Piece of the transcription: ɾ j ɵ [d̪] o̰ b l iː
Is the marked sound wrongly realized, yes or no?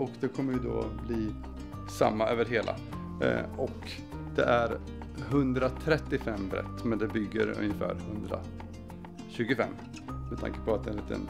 no